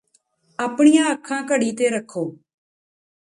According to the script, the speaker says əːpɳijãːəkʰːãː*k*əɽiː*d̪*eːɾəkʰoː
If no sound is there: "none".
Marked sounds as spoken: k, t̪

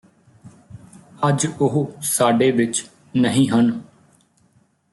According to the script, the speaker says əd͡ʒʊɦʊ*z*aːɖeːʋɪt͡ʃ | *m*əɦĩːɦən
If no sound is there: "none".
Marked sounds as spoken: s, n

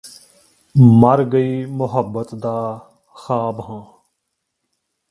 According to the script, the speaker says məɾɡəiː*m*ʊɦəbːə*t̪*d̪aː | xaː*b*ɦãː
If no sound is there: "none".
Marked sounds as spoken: m, t̪, b

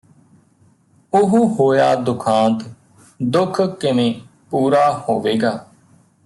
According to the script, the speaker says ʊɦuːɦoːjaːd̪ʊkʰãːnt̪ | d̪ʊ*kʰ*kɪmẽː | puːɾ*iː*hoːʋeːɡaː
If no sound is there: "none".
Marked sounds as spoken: kʰ, aː

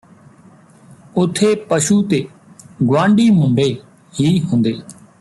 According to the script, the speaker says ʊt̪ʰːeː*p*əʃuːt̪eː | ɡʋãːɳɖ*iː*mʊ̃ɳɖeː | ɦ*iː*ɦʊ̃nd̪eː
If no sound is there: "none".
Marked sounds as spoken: p, iː, iː

